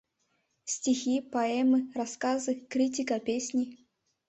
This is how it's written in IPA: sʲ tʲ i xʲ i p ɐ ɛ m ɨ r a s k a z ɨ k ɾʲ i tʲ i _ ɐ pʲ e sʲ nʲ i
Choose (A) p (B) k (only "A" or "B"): B